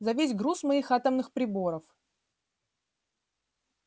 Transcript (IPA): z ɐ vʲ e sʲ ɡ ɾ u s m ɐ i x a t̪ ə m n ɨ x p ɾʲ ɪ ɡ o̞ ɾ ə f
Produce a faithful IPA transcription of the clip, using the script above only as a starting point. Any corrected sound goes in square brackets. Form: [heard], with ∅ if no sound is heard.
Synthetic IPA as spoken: z ɐ vʲ e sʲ ɡ ɾ u s m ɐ i x a t̪ ə m n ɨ x p ɾʲ ɪ [b] o̞ ɾ ə f